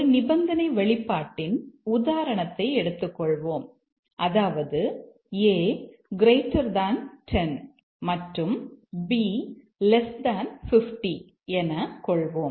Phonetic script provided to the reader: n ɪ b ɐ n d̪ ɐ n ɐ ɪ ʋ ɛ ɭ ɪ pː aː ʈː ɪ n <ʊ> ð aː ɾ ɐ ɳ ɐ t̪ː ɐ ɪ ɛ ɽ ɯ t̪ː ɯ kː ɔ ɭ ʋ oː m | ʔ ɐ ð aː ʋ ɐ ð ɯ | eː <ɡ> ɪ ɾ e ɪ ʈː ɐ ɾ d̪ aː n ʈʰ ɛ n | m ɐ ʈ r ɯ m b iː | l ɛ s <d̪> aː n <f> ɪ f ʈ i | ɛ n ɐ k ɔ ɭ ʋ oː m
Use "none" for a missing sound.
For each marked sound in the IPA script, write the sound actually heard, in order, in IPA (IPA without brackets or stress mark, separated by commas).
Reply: ʊ, ɡ, d̪, f